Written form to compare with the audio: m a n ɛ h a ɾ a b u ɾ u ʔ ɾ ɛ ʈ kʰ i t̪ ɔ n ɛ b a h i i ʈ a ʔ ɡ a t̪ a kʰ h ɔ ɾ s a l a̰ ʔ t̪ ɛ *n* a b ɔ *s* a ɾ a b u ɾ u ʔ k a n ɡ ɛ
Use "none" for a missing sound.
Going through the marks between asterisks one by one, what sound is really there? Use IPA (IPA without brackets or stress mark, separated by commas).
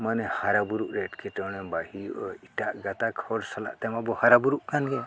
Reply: m, h